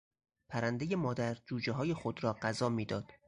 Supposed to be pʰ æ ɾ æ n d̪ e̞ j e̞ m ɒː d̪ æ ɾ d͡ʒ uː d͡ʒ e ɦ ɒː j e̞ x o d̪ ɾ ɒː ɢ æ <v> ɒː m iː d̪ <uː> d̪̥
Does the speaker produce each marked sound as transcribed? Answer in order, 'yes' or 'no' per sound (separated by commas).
no, no